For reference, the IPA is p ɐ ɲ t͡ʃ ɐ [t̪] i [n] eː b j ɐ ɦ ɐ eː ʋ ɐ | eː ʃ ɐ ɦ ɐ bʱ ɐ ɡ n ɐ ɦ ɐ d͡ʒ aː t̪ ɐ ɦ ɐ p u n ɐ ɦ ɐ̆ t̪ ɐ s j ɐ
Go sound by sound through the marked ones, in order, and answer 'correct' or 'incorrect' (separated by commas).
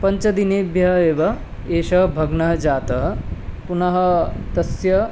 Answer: incorrect, correct